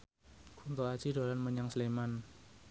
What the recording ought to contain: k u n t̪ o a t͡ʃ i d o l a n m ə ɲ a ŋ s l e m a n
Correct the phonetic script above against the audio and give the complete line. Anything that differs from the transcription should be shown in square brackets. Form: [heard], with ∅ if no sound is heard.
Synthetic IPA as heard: k u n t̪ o a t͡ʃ i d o l a n m ə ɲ a ŋ s l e m a n